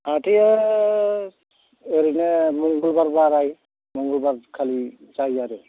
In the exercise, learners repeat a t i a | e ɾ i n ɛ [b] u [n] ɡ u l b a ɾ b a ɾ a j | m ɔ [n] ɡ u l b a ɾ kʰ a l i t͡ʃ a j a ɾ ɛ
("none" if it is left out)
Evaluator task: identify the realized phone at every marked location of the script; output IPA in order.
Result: m, ŋ, ŋ

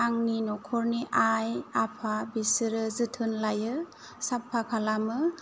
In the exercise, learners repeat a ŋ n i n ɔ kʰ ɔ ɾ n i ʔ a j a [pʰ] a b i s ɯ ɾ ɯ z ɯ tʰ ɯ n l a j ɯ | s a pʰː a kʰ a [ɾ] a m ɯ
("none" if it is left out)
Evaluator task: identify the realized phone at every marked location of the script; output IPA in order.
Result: pʰ, l

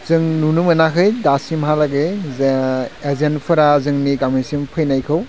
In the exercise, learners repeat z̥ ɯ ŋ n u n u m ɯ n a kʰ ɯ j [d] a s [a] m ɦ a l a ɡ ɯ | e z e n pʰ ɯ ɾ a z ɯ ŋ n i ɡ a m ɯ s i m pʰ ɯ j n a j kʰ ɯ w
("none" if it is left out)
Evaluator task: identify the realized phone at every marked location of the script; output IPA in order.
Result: d, i

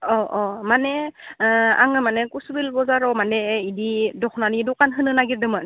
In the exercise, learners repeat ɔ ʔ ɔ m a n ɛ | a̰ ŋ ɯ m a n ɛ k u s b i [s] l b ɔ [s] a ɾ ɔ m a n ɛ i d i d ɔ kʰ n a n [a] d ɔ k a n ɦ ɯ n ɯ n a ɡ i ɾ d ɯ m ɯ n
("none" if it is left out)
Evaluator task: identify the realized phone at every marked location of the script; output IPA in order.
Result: none, z, i

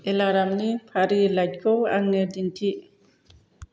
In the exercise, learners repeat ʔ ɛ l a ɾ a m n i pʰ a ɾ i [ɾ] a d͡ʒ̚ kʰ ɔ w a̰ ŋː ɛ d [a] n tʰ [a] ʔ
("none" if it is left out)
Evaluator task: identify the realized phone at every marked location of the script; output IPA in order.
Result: l, i, i

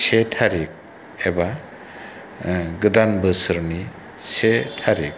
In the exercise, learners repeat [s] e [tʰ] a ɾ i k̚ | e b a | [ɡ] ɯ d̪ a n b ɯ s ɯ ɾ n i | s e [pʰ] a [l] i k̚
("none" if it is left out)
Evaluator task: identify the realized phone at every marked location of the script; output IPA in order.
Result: s, tʰ, ɡ, tʰ, ɾ

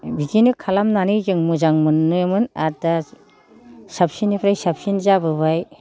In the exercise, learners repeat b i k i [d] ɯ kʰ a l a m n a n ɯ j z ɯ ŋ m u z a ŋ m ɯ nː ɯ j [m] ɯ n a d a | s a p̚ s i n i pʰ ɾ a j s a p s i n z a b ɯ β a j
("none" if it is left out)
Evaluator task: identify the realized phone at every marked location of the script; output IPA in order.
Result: n, m

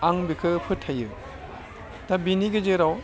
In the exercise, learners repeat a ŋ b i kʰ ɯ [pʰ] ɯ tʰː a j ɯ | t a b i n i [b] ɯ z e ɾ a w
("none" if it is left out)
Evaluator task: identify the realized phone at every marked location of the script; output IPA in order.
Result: pʰ, ɡ

